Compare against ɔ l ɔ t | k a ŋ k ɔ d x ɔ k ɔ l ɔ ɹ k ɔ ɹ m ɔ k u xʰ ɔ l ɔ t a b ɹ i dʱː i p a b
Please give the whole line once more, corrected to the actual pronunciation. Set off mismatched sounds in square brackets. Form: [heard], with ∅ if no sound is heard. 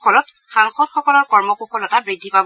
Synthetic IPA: ɔ l ɔ t | [x] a ŋ [x] ɔ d x ɔ k ɔ l ɔ ɹ k ɔ ɹ m ɔ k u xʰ ɔ l ɔ t a b ɹ i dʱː i p a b